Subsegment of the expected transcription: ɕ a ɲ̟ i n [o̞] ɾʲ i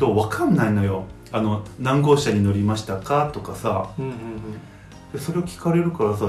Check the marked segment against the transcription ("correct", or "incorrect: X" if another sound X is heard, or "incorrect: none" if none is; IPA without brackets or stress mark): correct